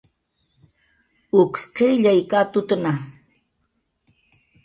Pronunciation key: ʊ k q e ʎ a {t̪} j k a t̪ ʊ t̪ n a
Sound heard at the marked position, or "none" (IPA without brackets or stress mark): none